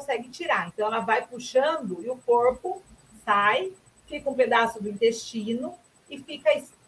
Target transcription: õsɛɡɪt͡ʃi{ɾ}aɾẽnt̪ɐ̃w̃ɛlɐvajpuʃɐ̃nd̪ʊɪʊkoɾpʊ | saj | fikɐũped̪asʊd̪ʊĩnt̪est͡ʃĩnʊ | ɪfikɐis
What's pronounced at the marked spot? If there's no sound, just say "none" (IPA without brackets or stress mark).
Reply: ɾ